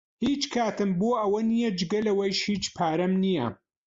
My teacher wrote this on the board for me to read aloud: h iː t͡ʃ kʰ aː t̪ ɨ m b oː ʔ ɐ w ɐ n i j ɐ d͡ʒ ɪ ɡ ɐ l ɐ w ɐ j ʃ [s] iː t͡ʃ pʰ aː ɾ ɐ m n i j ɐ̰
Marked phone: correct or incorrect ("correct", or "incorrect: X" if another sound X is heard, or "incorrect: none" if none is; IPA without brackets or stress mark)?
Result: incorrect: h